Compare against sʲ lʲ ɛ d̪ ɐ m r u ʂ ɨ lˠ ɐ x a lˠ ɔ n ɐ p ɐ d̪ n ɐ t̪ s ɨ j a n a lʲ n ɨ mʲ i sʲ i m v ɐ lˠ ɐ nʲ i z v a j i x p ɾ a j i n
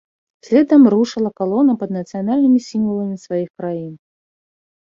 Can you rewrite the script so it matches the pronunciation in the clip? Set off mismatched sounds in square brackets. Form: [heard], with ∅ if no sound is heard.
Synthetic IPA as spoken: sʲ lʲ ɛ d̪ ɐ m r u ʂ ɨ lˠ ɐ [k] a lˠ ɔ n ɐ p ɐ d̪ n ɐ t̪ s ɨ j a n a lʲ n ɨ mʲ i sʲ i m v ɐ lˠ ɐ [mʲ] i [s] v a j i x [k] ɾ a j i n